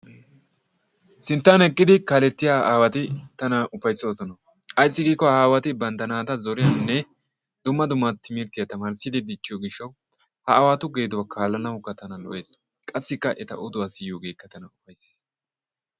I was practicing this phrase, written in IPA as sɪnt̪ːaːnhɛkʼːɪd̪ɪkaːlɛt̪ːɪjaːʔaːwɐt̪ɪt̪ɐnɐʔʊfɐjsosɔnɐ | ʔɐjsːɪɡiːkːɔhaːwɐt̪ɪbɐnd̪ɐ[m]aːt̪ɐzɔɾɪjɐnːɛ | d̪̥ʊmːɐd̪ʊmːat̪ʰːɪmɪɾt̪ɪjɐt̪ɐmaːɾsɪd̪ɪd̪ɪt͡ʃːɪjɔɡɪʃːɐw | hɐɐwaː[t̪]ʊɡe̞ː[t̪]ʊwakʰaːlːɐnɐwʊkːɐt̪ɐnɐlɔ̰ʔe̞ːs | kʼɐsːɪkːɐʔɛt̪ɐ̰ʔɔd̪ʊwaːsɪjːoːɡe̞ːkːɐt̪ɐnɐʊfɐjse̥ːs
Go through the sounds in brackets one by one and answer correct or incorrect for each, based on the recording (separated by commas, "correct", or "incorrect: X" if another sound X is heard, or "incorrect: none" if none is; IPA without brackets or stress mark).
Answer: incorrect: n, correct, incorrect: d̪